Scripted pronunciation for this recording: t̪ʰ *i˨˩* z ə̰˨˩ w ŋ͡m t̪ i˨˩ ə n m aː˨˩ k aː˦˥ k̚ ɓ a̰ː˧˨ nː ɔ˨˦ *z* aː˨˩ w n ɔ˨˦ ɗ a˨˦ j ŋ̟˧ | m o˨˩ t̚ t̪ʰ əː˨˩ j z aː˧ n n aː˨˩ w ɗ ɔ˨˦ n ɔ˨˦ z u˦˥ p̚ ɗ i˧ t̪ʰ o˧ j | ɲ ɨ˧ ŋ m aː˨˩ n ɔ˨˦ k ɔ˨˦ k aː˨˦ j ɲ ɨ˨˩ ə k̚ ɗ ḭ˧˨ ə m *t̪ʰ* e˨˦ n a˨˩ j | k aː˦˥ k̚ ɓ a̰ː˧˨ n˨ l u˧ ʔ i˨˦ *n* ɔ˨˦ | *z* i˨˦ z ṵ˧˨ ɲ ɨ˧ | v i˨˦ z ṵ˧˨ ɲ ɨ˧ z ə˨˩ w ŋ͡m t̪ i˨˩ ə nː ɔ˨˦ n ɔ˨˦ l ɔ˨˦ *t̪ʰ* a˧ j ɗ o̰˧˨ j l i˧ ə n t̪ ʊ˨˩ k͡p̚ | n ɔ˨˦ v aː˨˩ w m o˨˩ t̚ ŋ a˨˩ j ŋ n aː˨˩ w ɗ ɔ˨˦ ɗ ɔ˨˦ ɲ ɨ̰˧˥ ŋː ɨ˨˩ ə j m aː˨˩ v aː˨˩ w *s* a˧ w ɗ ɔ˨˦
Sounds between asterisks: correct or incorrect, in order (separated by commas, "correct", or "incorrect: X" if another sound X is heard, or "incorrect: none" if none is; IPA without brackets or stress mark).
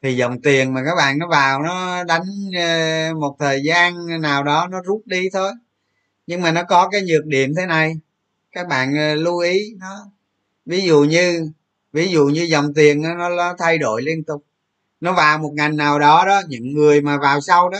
correct, incorrect: v, correct, correct, incorrect: v, correct, correct